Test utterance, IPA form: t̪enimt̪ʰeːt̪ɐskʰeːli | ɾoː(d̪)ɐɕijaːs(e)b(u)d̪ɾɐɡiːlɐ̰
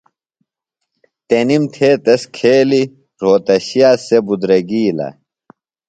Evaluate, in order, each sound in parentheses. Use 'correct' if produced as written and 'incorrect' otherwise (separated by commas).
incorrect, correct, correct